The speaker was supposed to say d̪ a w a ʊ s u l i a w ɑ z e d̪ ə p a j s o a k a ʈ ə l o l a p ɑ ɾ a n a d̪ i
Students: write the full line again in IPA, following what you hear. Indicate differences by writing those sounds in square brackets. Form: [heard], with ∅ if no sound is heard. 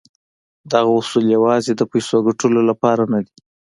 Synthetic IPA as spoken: d̪ a [ɣ] a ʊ s u l [j] a w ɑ z e d̪ ə p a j s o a [ɡ] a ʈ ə l o l a p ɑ ɾ a n a d̪ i